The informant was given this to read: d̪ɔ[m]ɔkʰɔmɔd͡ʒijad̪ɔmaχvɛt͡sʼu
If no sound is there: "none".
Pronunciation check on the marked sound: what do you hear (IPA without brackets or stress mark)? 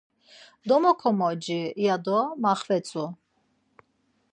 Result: m